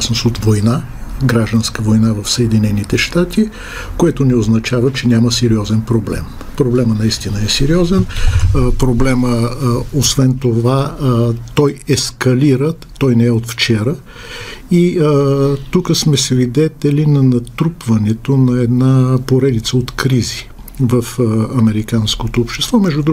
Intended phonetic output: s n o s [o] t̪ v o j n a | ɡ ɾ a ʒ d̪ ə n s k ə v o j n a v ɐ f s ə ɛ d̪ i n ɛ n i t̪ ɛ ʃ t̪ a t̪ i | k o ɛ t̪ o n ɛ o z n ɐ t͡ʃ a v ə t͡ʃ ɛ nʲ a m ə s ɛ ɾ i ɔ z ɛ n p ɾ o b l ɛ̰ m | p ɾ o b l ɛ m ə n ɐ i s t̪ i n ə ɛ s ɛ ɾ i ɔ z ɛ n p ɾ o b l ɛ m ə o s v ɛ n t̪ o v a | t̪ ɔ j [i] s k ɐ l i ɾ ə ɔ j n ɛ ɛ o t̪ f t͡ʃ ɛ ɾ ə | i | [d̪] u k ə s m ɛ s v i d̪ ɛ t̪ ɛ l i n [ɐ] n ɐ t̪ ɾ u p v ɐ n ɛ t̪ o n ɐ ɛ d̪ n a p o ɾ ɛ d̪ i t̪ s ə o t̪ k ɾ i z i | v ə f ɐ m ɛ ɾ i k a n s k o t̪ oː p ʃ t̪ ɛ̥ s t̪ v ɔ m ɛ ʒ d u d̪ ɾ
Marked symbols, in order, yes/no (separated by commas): yes, no, no, yes